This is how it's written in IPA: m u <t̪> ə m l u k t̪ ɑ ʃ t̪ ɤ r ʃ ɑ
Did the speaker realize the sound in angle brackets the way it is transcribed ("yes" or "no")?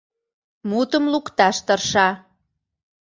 yes